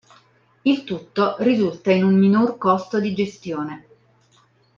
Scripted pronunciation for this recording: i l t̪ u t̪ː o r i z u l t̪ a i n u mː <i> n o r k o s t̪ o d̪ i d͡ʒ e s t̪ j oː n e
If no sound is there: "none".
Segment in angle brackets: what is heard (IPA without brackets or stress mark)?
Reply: i